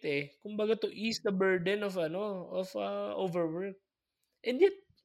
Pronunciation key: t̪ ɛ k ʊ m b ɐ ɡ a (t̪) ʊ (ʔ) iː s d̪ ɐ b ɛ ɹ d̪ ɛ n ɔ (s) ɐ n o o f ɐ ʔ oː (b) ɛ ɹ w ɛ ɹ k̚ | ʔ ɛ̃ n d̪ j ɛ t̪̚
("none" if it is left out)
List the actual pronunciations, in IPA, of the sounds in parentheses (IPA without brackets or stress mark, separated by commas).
t̪, ʔ, f, v